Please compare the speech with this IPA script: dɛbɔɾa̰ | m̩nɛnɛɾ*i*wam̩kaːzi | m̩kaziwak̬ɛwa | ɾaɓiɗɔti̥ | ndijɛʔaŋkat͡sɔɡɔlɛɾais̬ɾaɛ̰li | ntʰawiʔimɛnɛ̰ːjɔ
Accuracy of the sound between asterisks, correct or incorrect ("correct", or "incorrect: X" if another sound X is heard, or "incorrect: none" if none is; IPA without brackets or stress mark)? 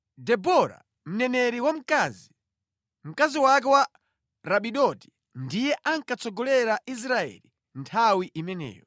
correct